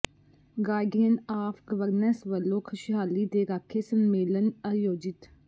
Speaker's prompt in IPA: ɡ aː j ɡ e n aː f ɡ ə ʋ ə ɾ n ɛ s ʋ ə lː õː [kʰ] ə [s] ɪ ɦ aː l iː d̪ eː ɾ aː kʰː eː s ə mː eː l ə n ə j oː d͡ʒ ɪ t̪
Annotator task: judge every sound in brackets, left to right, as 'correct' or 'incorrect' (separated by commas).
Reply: correct, incorrect